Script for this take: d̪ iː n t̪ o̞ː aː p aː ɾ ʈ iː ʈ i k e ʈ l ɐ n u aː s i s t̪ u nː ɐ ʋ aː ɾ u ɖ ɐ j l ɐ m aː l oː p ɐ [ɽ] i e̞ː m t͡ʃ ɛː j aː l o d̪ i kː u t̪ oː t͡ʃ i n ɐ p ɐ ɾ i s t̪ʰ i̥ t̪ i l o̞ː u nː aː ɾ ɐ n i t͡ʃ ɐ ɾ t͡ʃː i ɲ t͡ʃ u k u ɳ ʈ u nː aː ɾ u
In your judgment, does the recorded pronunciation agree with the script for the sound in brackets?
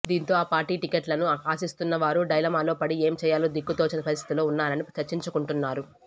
yes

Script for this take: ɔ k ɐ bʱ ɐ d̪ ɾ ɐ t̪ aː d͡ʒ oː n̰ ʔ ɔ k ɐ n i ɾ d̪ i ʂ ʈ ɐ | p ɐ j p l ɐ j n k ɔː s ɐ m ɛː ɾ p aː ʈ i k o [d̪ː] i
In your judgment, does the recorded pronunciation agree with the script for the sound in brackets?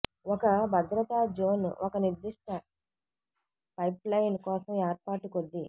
yes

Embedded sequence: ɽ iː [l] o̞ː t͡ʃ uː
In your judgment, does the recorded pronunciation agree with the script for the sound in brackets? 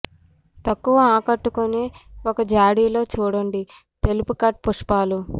yes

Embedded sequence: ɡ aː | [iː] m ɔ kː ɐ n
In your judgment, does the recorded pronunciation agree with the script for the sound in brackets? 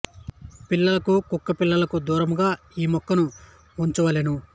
yes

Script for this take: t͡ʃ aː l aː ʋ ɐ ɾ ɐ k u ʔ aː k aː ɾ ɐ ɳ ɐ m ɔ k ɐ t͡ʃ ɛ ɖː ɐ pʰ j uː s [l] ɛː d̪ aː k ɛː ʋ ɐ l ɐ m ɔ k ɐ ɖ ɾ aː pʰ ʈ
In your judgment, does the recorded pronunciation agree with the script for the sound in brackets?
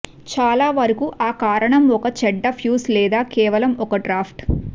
yes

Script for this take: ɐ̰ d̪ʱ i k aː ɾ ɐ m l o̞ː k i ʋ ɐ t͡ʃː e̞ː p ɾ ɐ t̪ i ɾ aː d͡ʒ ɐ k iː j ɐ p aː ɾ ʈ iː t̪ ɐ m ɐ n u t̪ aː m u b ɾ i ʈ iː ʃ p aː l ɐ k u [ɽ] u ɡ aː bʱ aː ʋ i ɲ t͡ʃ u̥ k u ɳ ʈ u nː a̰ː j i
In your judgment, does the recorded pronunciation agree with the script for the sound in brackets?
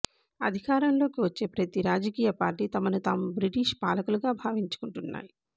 no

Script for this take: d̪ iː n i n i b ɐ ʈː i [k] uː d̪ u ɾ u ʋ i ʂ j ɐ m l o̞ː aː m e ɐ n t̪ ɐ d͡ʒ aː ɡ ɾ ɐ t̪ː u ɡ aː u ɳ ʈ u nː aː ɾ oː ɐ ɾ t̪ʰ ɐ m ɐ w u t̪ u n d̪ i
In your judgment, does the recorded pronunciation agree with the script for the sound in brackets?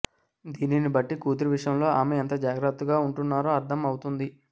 yes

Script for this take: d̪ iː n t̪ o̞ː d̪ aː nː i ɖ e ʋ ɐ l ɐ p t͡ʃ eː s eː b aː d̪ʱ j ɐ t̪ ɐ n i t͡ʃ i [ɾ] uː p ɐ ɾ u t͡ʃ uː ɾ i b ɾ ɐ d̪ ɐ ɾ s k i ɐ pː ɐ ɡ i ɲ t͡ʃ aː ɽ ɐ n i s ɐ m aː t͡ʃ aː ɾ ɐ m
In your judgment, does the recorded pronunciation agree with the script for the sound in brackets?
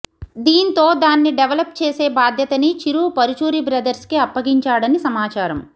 yes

